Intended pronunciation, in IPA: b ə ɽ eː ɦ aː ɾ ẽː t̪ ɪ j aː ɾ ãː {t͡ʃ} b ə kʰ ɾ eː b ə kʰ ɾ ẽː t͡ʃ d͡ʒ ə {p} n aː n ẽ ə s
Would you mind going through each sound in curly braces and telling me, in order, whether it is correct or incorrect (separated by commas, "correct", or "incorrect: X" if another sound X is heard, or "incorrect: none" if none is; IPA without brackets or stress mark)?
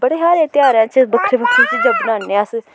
correct, incorrect: b